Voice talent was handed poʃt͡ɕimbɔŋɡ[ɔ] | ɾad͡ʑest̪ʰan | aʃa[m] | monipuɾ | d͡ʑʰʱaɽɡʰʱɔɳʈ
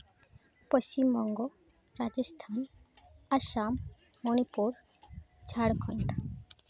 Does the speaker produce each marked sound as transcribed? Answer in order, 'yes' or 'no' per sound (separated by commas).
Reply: no, yes